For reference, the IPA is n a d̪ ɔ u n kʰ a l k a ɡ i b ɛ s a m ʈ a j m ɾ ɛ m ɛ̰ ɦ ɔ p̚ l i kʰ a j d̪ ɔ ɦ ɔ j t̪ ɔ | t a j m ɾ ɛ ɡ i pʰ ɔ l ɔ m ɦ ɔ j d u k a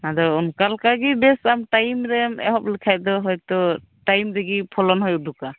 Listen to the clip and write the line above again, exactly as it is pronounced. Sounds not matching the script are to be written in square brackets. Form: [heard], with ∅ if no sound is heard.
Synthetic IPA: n a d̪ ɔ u n [k] a l k a ɡ i b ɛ s a m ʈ a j m ɾ ɛ m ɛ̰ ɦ ɔ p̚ l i kʰ a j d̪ ɔ ɦ ɔ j t̪ ɔ | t a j m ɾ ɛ ɡ i pʰ ɔ l ɔ [n] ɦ ɔ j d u k a